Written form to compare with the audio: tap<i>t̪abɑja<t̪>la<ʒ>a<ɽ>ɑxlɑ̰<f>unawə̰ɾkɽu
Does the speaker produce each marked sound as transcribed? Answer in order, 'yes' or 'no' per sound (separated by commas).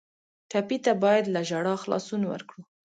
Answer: yes, no, yes, yes, no